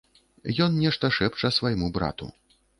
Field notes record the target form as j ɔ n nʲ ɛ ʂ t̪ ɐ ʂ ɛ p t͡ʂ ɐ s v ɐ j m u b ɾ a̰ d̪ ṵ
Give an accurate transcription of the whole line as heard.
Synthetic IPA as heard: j ɔ n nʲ ɛ ʂ t̪ ɐ ʂ ɛ p t͡ʂ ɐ s v ɐ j m u b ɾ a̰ t̪ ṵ